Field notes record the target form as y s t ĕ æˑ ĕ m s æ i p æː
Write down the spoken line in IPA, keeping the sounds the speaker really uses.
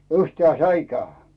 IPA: y h t ĕ æˑ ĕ n s æ i k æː

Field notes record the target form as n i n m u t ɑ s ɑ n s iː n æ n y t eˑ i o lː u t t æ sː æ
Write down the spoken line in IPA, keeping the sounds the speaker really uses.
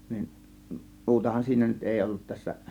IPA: n i n m uː t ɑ h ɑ n s iː n æ n y t eˑ i o lː u t t æ sː æ

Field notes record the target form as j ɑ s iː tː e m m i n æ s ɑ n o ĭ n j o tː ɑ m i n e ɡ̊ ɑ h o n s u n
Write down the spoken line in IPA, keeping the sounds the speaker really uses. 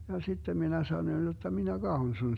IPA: j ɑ s i tː e m m i n æ s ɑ n o ĭ n j o tː ɑ m i n æ ɡ̊ ɑ h o n s u n

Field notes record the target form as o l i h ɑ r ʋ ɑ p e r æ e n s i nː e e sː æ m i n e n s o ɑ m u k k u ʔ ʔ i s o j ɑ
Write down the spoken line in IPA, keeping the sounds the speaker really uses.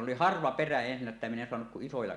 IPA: o l i h ɑ r ʋ ɑ p e r æ e n s i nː æ e tː æ m i n e n s o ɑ n u k k u ʔ ʔ i s o j ɑ

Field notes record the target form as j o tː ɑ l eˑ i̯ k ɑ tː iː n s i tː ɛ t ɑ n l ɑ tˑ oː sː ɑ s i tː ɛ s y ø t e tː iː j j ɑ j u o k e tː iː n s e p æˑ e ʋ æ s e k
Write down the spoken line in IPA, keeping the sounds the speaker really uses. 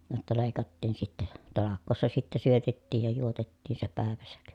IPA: j o tː ɑ l eˑ i̯ k ɑ tː iː n s i tː ɛ t ɑ l ɑ kˑ oː sː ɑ s i tː ɛ s y ø t e tː iː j j ɑ j u o t e tː iː n s e p æˑ e ʋ æ s æ k

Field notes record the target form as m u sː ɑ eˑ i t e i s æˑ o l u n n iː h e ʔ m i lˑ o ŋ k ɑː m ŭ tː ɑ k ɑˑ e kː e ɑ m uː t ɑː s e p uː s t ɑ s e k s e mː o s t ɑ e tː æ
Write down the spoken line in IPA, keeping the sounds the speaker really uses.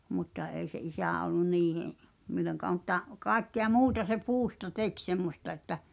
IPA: m u tː ɑ eˑ i s e i s æˑ o lː u n n iː h e ʔ m i lˑ o ŋ k ɑː m ŭ tː ɑ k ɑˑ e kː e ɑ m uː t ɑ s e p uː s t ɑ t e k s e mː o s t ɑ e tː æ

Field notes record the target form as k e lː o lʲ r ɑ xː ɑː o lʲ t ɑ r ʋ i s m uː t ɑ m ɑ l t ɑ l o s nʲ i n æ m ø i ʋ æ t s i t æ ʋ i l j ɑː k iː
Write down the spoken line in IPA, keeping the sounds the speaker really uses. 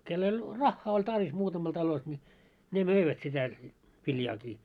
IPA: k e lː o lʲ r ɑ xː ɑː o lʲ t ɑ r ʋ i s m uː t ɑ m ɑ l t ɑ l o s nʲ i n e m ø i ʋ æ t s i t æ ʋ i l j ɑː k iː

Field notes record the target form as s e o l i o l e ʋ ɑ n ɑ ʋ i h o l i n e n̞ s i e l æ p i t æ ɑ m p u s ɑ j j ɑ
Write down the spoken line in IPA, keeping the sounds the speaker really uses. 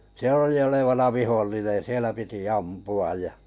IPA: s e o l i o l e ʋ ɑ n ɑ ʋ i h o lː i n e n̞ s i e l æ p i t i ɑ m p u ɑ j j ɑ

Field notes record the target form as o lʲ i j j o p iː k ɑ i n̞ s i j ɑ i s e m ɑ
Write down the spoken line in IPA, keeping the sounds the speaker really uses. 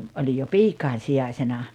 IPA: o lʲ i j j o p iː k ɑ i n̞ s i j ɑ i s e n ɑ

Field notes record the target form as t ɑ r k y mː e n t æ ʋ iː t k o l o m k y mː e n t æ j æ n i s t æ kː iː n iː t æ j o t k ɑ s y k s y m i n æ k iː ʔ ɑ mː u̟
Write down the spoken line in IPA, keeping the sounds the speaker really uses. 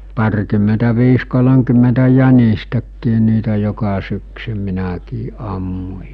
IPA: p ɑ r k y mː e n t æ ʋ iː s k o l o m k y mː e n t æ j æ n i s t æ kː iː n iː t æ j o k ɑ s y k s y m i n æ k iː ʔ ɑ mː u̟

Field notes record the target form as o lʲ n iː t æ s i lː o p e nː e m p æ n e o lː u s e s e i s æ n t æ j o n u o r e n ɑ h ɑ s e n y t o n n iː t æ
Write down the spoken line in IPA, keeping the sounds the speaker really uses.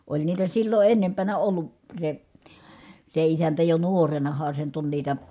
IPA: o lʲ n iː t æ s i lː o ʔ e nː e m p æ n æ o lː u s e s e i s æ n t æ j o n u o r e n ɑ h ɑ s e n y t o n n iː t æ

